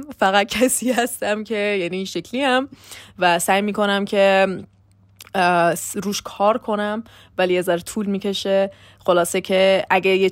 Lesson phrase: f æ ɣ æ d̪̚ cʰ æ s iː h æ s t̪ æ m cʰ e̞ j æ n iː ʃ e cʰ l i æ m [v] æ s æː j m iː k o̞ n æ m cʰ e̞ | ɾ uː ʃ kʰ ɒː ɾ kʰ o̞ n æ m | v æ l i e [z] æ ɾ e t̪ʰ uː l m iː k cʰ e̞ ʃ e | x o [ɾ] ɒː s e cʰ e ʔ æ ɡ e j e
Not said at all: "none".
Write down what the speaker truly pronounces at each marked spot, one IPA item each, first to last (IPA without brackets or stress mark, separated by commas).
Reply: v, z, l